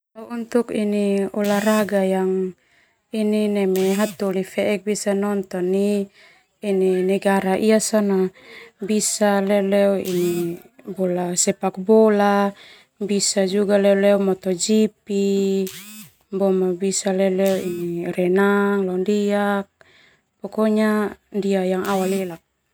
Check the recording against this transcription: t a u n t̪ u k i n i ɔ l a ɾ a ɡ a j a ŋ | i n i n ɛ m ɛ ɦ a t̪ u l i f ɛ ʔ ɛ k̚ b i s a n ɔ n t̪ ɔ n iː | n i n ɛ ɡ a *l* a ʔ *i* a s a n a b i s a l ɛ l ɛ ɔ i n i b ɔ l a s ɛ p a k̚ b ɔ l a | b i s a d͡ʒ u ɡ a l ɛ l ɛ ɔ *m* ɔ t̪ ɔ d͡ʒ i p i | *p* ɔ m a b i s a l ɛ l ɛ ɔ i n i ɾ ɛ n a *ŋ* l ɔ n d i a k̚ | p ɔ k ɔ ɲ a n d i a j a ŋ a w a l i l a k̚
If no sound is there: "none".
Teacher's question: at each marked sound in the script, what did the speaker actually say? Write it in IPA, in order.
ɾ, i, m, b, ŋ

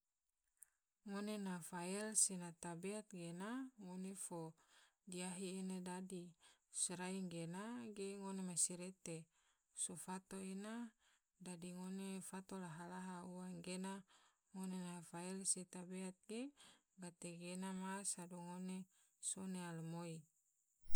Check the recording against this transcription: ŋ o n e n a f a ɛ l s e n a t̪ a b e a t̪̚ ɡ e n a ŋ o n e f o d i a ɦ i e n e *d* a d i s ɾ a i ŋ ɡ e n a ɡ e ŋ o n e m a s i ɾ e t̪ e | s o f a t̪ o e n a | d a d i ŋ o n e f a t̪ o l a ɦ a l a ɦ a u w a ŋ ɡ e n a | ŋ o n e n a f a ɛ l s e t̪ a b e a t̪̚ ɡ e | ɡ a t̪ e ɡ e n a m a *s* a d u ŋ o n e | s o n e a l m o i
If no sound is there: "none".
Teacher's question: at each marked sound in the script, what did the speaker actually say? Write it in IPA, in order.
d, s

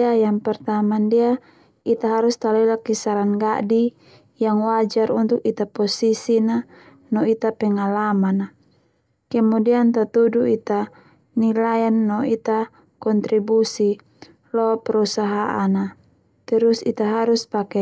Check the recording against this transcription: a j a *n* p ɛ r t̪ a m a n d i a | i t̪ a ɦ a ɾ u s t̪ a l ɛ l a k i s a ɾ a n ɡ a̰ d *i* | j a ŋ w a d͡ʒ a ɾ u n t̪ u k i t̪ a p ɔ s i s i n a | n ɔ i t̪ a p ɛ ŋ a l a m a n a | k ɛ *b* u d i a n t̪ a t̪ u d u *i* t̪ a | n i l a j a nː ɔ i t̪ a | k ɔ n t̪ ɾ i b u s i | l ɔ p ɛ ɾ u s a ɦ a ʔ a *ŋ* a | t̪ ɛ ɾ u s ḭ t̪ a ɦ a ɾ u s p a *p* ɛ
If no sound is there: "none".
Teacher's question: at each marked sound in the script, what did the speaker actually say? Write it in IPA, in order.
ŋ, i, m, i, n, k

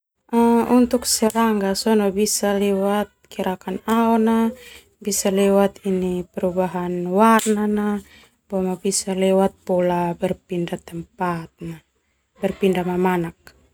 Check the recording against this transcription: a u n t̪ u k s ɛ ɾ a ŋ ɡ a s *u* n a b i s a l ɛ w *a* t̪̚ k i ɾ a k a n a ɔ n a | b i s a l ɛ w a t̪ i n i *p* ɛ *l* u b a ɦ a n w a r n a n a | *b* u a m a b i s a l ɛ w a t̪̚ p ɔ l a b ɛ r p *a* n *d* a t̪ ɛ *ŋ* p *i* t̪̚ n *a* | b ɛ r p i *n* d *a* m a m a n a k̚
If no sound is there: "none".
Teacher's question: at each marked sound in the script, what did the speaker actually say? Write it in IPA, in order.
ɔ, a, p, ɾ, b, i, d, m, a, a, n, a

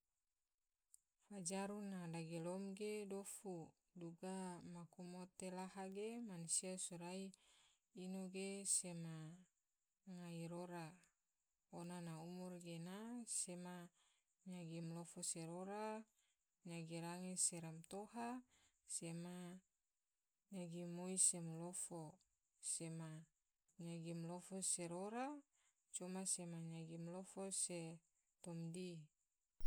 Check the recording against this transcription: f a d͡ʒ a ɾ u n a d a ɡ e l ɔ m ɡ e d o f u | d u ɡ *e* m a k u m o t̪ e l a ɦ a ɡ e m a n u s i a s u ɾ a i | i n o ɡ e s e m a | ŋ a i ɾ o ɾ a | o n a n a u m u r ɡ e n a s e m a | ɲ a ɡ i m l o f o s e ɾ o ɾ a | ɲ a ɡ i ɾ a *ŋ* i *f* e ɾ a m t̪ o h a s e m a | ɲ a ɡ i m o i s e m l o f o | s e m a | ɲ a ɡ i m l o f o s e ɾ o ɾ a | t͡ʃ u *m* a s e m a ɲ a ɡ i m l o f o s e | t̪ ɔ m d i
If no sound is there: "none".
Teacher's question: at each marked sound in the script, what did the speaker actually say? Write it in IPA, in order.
a, ŋ, s, m

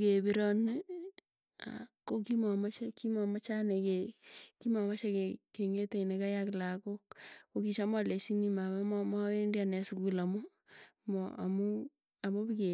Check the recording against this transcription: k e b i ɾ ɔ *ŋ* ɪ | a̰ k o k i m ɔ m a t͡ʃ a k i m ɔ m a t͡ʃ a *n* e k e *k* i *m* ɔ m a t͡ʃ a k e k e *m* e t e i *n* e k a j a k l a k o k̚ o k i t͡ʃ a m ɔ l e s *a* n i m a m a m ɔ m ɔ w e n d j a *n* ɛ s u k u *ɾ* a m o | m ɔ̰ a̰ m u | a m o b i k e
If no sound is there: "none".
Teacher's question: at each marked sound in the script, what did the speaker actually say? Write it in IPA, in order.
n, n, k, m, ŋ, n, i, n, l

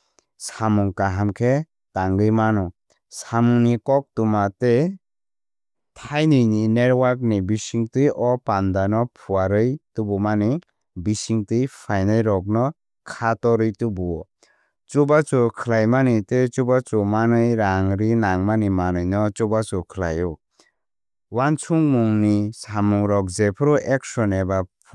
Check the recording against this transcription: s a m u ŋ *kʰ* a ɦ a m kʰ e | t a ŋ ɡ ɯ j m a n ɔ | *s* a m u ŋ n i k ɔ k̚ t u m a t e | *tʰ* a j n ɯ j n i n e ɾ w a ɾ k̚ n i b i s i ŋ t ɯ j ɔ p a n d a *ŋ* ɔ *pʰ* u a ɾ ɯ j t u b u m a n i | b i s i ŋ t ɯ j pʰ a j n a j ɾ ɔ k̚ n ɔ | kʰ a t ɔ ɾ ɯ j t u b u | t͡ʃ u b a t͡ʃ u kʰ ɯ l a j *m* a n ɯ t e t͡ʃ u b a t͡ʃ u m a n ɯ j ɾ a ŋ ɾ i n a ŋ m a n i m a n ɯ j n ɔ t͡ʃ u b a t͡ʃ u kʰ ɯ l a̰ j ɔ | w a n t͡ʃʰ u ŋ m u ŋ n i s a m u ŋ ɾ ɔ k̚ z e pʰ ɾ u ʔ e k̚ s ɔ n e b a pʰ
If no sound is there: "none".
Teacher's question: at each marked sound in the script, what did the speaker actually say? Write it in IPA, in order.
k, s, tʰ, n, pʰ, m

